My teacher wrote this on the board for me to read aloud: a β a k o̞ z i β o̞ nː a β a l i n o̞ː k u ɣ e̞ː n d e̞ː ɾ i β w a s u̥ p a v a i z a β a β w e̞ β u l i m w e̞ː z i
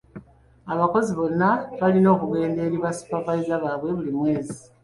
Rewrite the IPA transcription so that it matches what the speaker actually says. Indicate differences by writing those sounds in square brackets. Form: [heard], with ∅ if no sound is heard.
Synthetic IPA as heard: a β a k o̞ z i β o̞ nː a β a l i n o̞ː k u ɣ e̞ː n d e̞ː ɾ i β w a s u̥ p a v a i z a β a β w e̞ β u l i m w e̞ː z i

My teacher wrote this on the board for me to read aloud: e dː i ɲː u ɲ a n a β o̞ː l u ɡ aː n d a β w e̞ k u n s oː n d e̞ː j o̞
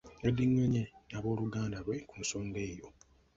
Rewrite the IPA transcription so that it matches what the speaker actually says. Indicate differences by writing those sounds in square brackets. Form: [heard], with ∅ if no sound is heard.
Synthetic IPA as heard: e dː i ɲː [o] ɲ [e] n a β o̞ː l u ɡ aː n d a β w e̞ k u n s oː n d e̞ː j o̞

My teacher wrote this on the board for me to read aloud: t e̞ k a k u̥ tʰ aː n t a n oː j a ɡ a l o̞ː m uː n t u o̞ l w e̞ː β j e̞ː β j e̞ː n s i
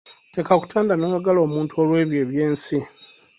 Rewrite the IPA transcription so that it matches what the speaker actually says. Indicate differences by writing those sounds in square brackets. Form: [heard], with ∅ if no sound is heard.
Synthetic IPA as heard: t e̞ k a k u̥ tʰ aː n [d] a n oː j a ɡ a l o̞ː m uː n t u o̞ l w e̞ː β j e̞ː β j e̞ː n s i

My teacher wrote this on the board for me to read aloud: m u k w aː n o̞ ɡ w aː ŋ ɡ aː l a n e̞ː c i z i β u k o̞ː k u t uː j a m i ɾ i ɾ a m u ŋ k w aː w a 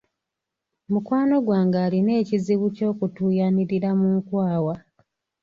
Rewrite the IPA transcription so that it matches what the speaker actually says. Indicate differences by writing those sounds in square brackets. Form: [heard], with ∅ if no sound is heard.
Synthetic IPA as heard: m u k w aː n o̞ ɡ w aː ŋ ɡ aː l [i] n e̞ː c i z i β u [c] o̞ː k u t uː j a [n] i ɾ i ɾ a m u ŋ k w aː w a

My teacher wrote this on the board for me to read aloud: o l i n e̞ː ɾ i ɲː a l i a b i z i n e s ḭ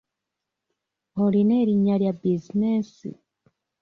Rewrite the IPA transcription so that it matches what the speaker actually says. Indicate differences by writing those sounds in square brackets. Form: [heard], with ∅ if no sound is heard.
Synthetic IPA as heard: o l i n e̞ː ɾ i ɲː a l [j] a b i z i n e s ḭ

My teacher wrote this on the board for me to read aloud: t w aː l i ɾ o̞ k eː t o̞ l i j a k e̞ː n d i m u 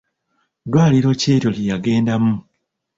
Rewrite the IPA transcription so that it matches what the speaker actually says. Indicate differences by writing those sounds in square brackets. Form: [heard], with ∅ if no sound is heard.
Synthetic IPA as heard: [d] w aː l i ɾ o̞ [c] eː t o̞ l i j a [ɡ] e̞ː n d [a] m u

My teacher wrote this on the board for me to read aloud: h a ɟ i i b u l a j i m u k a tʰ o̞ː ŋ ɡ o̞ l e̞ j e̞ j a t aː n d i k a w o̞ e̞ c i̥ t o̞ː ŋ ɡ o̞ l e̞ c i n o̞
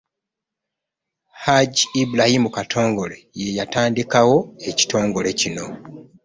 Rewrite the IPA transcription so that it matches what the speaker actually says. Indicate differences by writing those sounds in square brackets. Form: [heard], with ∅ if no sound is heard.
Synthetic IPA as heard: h a ɟ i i b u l a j i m u k a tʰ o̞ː ŋ ɡ o̞ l e̞ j e̞ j a t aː n d i k a w o̞ e̞ c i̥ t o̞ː ŋ ɡ o̞ l e̞ c i n o̞

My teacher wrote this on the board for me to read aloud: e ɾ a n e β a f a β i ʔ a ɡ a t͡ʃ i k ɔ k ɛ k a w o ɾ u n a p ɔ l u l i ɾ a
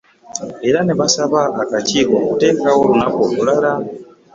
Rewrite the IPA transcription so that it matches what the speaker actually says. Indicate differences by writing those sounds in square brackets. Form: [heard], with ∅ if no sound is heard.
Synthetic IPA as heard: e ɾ a n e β a [s] a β [a] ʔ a [k] a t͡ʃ i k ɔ [t] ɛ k a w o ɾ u n a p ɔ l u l [a] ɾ a

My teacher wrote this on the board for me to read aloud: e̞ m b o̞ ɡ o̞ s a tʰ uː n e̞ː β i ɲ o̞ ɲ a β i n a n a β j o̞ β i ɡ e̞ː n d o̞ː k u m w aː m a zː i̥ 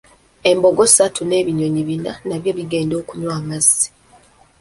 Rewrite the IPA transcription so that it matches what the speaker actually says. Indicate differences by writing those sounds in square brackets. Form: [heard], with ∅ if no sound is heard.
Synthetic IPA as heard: e̞ m b o̞ ɡ o̞ s a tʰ [u] n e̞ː β i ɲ o̞ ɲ [i] β i n a n a β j o̞ β i ɡ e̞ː n d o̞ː k u [ɲ] w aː m a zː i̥

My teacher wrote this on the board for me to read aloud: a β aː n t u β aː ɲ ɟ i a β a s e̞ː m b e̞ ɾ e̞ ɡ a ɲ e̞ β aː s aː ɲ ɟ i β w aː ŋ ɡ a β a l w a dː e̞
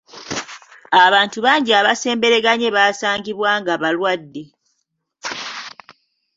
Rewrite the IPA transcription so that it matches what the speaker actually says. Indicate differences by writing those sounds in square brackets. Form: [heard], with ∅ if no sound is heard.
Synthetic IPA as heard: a β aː n t u β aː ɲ ɟ i a β a s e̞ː m b e̞ ɾ e̞ ɡ a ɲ e̞ β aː s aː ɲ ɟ i β w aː ŋ ɡ a β a l w a dː e̞

